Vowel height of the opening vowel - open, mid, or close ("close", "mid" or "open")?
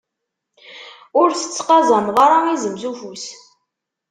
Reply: close